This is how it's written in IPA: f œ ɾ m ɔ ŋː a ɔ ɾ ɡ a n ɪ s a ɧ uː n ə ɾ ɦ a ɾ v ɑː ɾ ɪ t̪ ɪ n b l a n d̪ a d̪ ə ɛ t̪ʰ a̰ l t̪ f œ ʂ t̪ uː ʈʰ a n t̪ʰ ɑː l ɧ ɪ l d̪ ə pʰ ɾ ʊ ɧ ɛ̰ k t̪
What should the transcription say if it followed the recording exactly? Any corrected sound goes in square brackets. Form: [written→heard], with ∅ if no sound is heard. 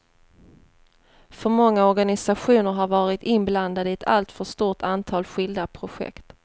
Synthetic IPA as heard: f œ ɾ m ɔ ŋː a ɔ ɾ ɡ a n ɪ s a ɧ uː n ə ɾ ɦ a ɾ v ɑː ɾ ɪ t̪ ɪ n b l a n d̪ a d̪ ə ɛ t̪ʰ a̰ l t̪ f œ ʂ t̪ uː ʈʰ a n t̪ʰ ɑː l ɧ ɪ l d̪ [ə→a] pʰ ɾ ʊ ɧ ɛ̰ k t̪